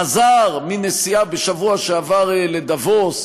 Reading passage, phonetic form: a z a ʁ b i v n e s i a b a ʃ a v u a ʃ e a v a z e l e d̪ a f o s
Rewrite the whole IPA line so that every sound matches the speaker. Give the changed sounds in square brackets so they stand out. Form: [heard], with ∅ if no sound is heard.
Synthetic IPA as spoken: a z a ʁ [m] i [∅] n e s i a b [e] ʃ a v u a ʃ e a v a [ʁ] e l e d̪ a [v] o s